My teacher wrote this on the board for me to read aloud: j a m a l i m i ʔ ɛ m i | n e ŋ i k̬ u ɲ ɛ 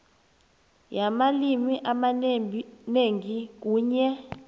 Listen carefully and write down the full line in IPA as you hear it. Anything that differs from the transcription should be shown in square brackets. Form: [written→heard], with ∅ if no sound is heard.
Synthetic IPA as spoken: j a m a l i m i ʔ [ɛ→a] m [i→a] | n e ŋ i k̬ [u→uː] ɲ ɛ